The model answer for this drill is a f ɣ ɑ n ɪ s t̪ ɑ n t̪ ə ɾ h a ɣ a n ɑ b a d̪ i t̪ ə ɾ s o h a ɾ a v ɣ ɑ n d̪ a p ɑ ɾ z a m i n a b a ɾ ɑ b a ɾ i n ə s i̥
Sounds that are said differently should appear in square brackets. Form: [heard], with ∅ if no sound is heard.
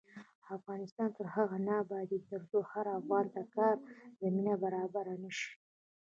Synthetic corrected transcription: a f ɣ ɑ n ɪ s t̪ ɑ n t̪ ə ɾ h a ɣ a n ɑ b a d̪ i t̪ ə ɾ s o h a ɾ a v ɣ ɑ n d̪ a [k] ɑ ɾ z a m i n a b a ɾ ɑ b a ɾ [a] n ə [ʃ] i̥